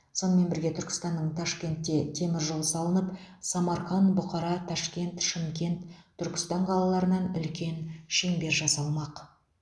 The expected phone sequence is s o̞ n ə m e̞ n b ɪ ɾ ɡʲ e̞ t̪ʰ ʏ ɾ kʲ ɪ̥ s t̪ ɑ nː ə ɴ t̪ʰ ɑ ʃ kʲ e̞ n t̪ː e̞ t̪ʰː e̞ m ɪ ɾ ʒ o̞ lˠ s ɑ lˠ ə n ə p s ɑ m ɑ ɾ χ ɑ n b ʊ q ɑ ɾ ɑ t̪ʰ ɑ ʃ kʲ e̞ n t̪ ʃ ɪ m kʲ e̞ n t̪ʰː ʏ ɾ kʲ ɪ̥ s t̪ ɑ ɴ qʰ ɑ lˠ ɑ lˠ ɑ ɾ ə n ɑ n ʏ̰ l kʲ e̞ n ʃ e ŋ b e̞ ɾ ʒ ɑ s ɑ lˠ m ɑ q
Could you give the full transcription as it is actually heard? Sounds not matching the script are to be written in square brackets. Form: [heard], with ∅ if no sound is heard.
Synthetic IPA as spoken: s o̞ n ə m e̞ n b ɪ ɾ ɡʲ e̞ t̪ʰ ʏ ɾ kʲ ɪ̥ s t̪ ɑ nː ə ɴ t̪ʰ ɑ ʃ kʲ e̞ n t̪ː e̞ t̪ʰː e̞ m ɪ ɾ ʒ o̞ lˠ s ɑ lˠ ə n ə p s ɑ m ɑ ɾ χ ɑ n b ʊ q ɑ ɾ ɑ t̪ʰ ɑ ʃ kʲ e̞ n t̪ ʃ ɪ m kʲ e̞ n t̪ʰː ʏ ɾ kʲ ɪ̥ s t̪ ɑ ɴ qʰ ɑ lˠ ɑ lˠ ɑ ɾ ə n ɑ n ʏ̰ l kʲ e̞ n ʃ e ŋ b e̞ ɾ ʒ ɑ s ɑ lˠ m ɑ q